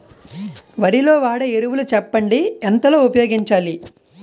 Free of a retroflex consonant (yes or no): no